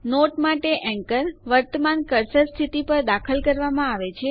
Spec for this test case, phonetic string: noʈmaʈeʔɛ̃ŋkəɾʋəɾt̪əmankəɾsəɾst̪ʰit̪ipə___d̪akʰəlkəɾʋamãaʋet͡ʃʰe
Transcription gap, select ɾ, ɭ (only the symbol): ɾ